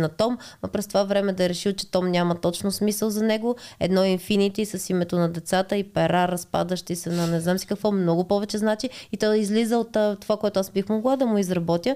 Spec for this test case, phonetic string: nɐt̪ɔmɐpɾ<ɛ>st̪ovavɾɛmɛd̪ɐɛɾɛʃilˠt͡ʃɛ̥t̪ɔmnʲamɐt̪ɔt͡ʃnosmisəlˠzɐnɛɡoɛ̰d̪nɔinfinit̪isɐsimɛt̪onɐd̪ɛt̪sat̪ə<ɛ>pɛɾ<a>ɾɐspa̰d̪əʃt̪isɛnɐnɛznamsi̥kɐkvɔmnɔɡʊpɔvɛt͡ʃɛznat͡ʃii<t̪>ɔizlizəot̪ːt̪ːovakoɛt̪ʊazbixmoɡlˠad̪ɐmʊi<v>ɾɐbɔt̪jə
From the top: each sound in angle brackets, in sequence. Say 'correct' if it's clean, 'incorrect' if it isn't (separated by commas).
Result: correct, incorrect, correct, correct, incorrect